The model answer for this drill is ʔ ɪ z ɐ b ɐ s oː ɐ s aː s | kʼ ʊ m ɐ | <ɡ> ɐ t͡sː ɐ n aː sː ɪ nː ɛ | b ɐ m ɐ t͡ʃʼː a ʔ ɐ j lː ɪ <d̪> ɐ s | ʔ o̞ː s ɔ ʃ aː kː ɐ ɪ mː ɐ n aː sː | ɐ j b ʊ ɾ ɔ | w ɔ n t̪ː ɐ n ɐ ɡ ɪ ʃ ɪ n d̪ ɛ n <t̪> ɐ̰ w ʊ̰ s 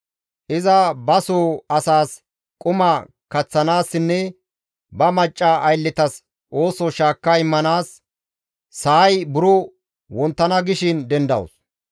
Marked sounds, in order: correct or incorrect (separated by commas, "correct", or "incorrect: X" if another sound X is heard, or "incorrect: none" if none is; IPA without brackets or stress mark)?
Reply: incorrect: k, incorrect: t̪, incorrect: d̪